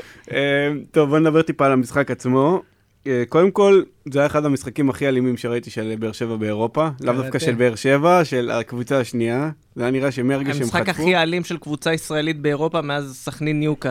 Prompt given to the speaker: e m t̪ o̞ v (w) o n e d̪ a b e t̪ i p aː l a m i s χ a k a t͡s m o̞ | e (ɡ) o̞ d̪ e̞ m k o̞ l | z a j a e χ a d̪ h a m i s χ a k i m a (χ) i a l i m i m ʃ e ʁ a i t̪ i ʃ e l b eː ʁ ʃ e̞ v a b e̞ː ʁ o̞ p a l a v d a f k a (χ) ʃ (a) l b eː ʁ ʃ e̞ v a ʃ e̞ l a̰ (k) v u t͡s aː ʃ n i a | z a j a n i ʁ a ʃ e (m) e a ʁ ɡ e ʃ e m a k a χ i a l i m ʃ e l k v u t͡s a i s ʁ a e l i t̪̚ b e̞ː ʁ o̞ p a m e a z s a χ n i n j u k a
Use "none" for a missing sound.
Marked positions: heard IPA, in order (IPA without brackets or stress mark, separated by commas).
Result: b, k, χ, ʃ, e, k, m